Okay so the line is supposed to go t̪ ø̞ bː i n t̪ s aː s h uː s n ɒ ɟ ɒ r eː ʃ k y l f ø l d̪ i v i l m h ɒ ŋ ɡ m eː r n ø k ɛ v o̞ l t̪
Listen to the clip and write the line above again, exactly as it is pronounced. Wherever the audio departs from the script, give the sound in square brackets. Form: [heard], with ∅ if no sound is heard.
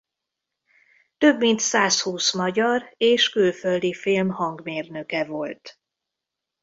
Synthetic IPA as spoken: t̪ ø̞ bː i n t̪ s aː s h uː s [m] ɒ ɟ ɒ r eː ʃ k y l f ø l d̪ i [f] i l m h ɒ ŋ ɡ m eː r n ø k ɛ v o̞ l t̪